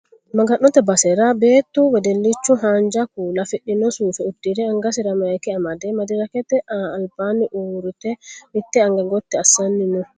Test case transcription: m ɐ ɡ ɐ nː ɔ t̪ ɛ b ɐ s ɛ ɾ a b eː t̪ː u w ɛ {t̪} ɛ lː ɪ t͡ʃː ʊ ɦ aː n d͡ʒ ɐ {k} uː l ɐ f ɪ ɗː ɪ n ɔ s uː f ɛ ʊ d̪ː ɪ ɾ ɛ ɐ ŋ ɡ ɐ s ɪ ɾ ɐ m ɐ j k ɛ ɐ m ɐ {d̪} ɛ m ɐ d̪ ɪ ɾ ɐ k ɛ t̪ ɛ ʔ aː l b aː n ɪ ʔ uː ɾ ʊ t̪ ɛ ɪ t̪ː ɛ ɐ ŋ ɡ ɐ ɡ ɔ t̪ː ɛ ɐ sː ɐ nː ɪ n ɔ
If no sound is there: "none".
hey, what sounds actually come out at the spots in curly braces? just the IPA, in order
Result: d̪, k, d̪

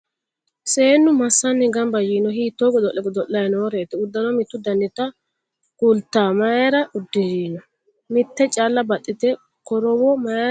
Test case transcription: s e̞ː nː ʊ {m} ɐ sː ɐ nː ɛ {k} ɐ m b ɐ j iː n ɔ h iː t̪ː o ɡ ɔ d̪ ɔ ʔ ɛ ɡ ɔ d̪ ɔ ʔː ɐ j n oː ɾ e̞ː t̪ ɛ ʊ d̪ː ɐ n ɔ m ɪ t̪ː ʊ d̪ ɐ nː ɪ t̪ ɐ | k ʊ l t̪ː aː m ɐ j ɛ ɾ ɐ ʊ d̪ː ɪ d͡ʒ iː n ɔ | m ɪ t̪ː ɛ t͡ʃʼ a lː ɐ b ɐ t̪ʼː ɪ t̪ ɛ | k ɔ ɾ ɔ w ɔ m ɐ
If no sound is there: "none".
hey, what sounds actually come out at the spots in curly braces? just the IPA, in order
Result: m, ɡ

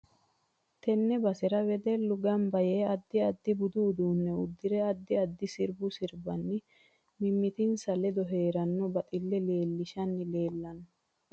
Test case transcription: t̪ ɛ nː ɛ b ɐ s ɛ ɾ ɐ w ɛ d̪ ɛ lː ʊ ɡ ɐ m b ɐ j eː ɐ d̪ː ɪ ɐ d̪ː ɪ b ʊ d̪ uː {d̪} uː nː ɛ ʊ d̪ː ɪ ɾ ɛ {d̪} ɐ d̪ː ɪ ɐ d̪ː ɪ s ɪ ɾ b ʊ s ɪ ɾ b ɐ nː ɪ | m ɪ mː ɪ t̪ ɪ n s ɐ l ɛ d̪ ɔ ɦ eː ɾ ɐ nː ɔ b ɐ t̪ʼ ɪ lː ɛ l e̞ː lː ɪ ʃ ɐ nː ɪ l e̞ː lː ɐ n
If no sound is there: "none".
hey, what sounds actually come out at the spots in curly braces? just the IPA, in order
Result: d̪, none

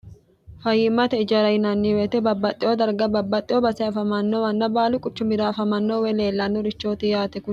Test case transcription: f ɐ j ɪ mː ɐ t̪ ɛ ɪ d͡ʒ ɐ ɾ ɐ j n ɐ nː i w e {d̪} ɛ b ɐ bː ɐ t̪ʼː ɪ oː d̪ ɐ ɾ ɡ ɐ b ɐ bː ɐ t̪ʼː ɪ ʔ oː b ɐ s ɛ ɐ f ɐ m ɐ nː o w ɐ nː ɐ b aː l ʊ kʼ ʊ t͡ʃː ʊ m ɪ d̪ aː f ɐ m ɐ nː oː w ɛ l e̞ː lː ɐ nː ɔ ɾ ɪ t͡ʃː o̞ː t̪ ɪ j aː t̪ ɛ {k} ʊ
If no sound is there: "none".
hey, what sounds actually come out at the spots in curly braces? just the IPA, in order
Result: t̪, k

